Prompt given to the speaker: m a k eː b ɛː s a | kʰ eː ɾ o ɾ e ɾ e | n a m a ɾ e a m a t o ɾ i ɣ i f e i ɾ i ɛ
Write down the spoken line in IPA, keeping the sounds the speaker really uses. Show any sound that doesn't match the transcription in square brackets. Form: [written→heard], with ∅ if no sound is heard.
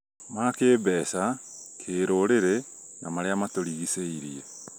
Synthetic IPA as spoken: m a k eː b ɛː s a | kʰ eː ɾ o ɾ e ɾ e | n a m a ɾ e a m a t o ɾ i ɣ i [f→s] e i ɾ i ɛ